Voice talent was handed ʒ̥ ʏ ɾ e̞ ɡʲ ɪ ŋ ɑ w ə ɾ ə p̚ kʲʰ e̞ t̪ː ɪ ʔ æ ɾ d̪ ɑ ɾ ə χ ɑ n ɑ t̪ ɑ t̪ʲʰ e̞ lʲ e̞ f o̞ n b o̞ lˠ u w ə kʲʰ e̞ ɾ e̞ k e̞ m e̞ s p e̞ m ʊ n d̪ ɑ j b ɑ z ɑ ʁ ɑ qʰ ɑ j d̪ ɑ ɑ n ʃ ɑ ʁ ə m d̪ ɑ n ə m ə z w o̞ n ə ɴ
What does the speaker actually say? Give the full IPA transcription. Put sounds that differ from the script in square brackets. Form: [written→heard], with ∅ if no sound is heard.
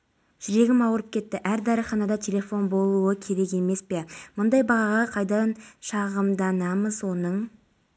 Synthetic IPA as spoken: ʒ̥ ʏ ɾ e̞ ɡʲ ɪ [ŋ→m] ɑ w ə ɾ ə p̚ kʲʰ e̞ t̪ː ɪ ʔ æ ɾ d̪ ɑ ɾ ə χ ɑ n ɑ [t̪→d̪] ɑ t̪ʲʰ e̞ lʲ e̞ f o̞ n b o̞ lˠ u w ə kʲʰ e̞ ɾ e̞ k e̞ m e̞ s p e̞ m ʊ n d̪ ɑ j b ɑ [z→ʁ] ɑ ʁ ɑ qʰ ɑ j d̪ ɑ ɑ n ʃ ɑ ʁ ə m d̪ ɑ n [ə→ɑ] m ə z w o̞ n ə ɴ